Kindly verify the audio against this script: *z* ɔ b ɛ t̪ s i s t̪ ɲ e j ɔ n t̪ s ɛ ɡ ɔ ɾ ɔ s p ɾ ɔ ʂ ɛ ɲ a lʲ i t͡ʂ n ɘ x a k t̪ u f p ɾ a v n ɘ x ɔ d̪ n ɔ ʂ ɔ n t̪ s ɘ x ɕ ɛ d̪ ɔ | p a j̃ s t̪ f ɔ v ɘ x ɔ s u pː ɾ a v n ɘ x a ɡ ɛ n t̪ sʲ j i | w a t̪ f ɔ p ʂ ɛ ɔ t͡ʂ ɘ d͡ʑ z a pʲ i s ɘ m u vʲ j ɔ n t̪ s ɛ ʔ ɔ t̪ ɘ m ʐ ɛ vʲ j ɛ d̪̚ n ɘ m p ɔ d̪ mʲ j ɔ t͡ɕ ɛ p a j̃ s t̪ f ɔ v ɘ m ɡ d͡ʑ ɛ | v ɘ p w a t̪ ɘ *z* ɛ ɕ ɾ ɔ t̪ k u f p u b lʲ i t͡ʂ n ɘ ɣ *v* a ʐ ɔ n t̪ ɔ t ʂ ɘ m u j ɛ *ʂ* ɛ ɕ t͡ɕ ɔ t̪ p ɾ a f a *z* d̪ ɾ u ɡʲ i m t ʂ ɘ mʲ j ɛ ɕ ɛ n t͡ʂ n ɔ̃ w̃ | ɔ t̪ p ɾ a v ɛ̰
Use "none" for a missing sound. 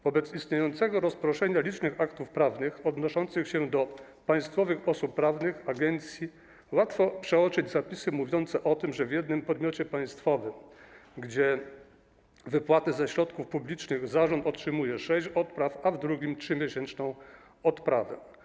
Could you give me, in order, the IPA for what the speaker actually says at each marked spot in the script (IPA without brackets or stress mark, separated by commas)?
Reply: v, z, z, ʂ, v